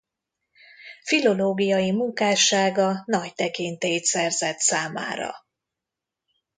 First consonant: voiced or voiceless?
voiceless